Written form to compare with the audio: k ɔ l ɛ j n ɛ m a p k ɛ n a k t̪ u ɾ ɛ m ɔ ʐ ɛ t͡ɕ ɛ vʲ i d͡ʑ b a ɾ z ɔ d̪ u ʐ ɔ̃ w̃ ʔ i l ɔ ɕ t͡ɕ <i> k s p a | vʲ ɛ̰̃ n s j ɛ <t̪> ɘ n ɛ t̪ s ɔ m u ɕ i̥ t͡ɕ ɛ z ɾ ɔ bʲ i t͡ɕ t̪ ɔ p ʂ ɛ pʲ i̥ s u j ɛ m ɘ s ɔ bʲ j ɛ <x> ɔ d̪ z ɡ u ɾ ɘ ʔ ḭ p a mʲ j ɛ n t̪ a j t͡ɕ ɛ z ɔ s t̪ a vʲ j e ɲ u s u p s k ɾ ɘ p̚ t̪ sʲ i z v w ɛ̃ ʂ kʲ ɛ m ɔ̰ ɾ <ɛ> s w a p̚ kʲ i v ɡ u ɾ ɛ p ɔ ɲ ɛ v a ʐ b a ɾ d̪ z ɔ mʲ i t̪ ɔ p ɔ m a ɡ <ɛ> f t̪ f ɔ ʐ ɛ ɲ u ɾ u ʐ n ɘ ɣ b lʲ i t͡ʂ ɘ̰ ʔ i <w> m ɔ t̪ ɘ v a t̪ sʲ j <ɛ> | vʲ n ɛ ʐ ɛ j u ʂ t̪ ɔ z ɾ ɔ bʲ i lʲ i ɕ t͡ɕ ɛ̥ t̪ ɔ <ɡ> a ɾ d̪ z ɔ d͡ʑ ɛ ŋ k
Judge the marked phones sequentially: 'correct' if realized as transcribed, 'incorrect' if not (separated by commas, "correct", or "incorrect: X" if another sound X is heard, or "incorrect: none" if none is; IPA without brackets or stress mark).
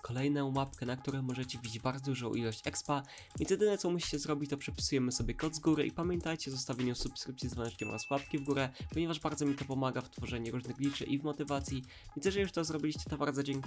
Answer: incorrect: ɛ, incorrect: d̪, incorrect: k, incorrect: a, incorrect: a, incorrect: v, incorrect: i, incorrect: b